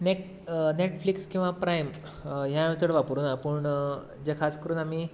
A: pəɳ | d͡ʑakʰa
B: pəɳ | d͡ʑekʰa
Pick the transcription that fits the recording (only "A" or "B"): B